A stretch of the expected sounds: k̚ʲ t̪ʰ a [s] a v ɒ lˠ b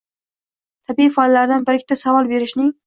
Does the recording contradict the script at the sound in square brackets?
no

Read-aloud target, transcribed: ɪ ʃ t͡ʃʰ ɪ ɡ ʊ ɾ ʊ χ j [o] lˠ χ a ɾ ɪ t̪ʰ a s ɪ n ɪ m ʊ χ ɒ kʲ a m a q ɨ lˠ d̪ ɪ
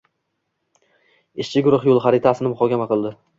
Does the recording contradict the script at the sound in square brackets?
no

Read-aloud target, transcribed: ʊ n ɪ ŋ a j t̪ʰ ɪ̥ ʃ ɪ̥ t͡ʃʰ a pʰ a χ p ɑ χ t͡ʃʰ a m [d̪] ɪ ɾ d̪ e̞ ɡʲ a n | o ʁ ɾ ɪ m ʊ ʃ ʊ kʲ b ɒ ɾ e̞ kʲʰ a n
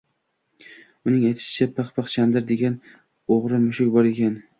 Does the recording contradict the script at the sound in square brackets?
no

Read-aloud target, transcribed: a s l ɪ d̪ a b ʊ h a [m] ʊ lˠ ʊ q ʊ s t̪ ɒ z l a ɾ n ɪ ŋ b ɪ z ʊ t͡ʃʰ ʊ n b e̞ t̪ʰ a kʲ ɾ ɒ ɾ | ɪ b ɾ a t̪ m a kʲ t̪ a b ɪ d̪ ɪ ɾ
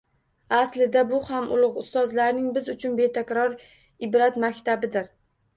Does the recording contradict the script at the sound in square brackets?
no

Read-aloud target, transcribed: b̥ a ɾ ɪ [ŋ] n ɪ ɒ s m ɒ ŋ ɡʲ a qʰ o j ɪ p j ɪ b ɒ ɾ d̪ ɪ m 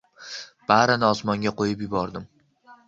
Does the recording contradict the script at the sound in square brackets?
yes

